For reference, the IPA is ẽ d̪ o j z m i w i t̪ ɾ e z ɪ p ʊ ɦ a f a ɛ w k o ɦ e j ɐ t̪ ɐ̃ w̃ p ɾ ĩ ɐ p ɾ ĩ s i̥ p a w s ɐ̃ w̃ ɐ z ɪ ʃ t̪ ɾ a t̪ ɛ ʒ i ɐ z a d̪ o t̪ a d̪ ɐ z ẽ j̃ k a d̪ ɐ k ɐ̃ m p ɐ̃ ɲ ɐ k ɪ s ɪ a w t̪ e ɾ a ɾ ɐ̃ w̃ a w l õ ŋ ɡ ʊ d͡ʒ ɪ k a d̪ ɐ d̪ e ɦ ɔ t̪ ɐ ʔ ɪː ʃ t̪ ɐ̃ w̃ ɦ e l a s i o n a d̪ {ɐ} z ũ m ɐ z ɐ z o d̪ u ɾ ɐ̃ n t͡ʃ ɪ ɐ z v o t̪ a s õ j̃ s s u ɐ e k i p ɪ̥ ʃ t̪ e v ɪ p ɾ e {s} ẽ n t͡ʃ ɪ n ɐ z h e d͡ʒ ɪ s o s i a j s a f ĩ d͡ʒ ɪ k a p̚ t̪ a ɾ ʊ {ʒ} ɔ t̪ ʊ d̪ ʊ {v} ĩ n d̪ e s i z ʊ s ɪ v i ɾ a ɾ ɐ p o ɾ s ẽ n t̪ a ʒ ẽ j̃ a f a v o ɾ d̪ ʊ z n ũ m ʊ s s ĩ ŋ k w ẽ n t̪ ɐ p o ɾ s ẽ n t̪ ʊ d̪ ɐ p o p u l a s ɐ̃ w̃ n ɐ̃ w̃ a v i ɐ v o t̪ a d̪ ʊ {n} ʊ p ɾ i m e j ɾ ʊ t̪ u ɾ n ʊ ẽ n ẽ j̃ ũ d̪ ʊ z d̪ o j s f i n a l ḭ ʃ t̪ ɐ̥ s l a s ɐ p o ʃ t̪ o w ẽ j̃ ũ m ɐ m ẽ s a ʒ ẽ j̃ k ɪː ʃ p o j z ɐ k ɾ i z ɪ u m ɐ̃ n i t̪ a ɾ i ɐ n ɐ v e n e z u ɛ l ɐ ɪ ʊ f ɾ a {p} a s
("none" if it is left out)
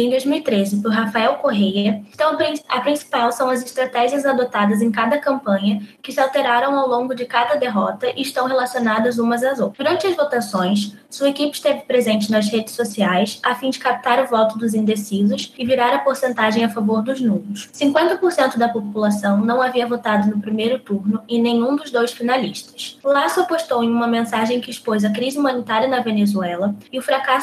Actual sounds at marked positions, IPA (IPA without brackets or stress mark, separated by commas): ɐ, z, v, z, n, k